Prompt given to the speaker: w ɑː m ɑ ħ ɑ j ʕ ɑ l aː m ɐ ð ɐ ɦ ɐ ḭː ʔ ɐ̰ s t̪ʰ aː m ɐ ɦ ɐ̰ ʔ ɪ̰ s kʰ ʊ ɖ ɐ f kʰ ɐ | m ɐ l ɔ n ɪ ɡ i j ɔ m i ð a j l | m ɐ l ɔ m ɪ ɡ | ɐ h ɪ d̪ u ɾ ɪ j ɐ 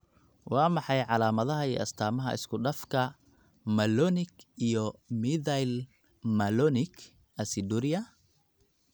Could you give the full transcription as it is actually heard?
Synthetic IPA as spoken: w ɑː m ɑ ħ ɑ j ʕ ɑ l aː m ɐ ð ɐ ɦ ɐ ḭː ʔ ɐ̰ s t̪ʰ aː m ɐ ɦ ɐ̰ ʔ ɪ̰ s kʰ ʊ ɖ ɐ f kʰ ɐ | m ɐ l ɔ n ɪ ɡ i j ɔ m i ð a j l | m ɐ l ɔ n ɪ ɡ | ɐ s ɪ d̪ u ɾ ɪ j ɐ